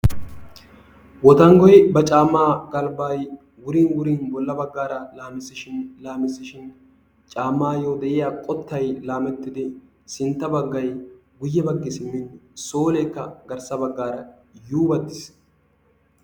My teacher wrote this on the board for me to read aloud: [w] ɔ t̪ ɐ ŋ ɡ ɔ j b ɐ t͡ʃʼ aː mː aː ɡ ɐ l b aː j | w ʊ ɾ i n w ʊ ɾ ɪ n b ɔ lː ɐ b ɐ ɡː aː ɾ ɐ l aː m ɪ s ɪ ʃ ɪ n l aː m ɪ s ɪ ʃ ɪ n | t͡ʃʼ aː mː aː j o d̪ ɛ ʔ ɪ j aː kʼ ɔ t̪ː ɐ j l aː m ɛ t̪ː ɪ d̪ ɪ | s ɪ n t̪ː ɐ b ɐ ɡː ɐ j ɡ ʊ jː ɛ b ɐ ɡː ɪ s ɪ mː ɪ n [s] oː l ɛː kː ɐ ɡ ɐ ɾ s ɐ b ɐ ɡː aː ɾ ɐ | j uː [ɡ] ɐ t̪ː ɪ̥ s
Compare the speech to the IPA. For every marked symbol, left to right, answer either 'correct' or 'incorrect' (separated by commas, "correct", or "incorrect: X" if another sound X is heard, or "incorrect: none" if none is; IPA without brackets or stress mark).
correct, correct, incorrect: b